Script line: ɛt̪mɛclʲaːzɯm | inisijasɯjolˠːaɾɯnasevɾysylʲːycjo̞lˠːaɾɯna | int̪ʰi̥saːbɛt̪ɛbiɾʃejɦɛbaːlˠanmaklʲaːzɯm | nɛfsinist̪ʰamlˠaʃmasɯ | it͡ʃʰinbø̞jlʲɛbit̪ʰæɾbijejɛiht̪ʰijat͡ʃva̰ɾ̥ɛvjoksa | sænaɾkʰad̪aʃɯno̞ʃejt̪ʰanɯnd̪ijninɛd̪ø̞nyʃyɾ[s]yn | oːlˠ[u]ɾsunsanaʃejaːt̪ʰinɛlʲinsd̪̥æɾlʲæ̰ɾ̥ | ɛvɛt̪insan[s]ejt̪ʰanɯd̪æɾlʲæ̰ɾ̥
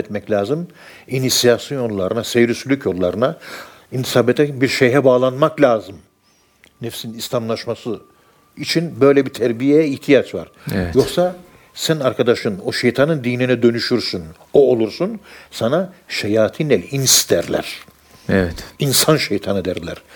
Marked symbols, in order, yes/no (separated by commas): yes, yes, no